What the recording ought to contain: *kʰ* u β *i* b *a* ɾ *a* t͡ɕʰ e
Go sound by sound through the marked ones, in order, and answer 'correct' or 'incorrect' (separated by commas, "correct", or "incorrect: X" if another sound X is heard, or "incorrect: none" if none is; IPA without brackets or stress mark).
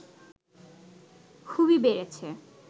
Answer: correct, correct, incorrect: e, incorrect: e